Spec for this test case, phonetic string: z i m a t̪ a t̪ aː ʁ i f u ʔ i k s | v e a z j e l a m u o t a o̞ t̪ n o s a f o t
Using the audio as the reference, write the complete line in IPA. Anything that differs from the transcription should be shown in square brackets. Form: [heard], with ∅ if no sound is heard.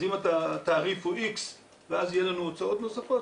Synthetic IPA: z i m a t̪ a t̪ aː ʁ i f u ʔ i k s | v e a z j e l a [n] u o [t͡s] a o̞ t̪ n o s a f o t